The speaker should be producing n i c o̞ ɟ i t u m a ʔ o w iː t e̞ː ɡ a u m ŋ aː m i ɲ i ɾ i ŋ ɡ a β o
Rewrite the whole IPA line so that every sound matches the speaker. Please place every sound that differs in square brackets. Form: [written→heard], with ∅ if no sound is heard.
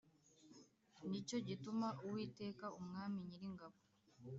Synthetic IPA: n i c o̞ ɟ i t u m a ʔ [o→u] w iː t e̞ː [ɡ→k] a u m ŋ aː m i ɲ i ɾ i ŋ ɡ a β o